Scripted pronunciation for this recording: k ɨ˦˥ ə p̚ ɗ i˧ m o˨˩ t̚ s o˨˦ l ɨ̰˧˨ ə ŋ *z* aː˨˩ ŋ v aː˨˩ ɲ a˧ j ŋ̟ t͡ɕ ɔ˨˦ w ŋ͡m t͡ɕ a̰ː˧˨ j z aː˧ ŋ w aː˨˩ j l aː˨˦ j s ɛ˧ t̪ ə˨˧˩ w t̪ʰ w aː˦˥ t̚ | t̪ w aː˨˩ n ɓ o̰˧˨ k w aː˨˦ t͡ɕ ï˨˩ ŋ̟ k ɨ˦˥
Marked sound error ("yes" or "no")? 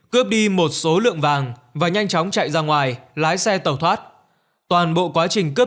yes